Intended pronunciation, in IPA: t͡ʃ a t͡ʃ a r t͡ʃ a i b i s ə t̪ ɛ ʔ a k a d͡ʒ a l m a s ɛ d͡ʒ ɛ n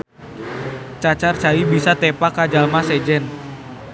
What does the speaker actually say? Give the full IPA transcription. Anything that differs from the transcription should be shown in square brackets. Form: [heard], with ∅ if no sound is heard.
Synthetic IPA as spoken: t͡ʃ a t͡ʃ a r t͡ʃ a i b i s [a] t̪ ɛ [p] a k a d͡ʒ a l m a s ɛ d͡ʒ ɛ n